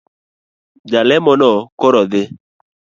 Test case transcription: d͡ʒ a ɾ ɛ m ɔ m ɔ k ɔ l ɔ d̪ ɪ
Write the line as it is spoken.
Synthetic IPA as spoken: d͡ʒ a l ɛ m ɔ n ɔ k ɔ ɾ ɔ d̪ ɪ